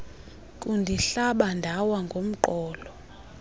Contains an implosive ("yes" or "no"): yes